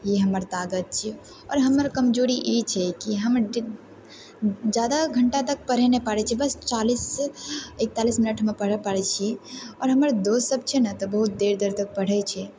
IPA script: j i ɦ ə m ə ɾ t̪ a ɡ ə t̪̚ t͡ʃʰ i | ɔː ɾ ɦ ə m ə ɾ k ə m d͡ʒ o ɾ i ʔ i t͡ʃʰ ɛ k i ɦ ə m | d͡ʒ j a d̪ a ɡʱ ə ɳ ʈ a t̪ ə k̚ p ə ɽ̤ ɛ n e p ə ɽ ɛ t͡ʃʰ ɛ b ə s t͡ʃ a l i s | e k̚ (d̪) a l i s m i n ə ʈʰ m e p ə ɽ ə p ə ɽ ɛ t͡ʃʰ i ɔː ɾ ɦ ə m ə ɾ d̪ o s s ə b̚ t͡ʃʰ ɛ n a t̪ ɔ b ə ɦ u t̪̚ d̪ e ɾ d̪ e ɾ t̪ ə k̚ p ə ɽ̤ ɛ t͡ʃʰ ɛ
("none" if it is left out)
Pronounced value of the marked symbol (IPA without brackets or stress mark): t̪